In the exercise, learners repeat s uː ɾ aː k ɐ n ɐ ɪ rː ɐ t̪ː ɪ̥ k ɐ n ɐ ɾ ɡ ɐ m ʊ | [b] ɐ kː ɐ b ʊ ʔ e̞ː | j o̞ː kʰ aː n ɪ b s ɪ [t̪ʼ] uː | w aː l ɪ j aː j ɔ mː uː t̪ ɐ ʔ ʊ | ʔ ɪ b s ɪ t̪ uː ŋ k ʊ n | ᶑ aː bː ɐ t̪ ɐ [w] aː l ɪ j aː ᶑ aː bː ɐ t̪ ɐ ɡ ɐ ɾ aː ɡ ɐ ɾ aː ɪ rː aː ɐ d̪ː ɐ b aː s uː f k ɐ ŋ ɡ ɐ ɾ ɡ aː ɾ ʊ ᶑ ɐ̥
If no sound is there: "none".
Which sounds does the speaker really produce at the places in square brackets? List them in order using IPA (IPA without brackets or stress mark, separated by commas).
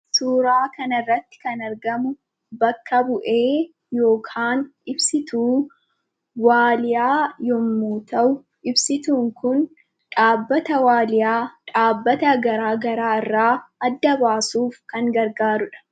b, t̪, w